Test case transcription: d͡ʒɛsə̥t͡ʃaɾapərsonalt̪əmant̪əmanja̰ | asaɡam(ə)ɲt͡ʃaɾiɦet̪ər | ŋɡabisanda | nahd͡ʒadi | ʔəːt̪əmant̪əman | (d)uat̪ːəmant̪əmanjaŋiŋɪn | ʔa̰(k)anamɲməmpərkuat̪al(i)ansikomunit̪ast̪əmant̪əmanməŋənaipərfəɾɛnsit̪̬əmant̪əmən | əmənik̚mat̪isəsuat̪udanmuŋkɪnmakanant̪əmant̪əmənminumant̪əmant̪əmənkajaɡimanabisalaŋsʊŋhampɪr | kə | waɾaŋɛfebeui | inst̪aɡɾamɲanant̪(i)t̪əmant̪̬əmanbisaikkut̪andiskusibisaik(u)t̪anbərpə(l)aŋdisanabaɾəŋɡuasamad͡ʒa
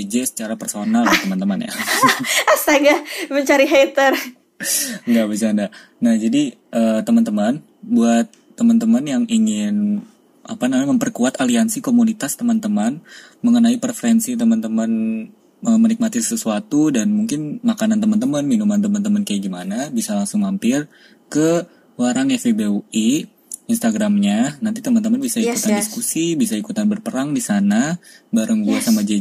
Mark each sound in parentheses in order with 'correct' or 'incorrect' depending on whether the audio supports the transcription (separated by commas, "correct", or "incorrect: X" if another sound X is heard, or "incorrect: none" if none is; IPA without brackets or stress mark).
correct, incorrect: b, incorrect: p, correct, correct, correct, incorrect: ɾ